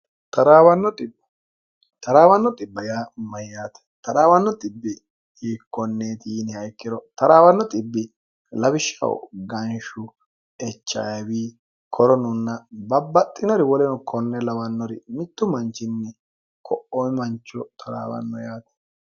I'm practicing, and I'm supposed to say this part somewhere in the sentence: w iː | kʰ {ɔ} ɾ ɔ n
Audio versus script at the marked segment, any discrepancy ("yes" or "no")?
no